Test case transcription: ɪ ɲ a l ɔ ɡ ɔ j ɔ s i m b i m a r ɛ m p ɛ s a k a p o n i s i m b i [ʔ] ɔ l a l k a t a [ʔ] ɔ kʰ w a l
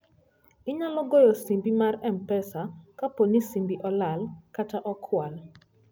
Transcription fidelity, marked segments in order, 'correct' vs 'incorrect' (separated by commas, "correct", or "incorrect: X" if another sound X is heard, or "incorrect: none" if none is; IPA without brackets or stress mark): correct, correct